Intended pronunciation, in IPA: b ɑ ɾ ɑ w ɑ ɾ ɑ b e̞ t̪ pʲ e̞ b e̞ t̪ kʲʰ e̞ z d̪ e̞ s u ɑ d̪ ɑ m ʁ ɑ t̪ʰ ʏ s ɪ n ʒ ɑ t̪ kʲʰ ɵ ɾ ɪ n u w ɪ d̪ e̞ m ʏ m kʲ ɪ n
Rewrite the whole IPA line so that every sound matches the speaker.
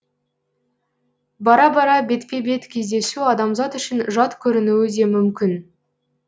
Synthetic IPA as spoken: b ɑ ɾ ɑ b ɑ ɾ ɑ b e̞ t̪ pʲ e̞ b e̞ t̪ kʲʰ e̞ z d̪ e̞ s u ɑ d̪ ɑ m z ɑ t̪ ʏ ʃ ɪ n ʒ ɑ t̪ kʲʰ ɵ ɾ ɪ n u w ɪ d̪ e̞ m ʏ m kʲ ɪ n